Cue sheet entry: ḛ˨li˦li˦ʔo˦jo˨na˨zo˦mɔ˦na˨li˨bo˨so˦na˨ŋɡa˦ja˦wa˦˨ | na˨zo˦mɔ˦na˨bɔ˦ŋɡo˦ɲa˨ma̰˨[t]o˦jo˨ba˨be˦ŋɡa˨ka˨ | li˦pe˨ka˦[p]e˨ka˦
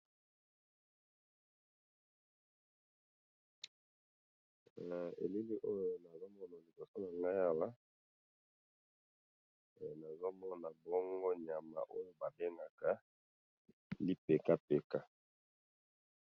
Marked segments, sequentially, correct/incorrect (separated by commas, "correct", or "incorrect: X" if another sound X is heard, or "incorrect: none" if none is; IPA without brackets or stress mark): incorrect: ʔ, correct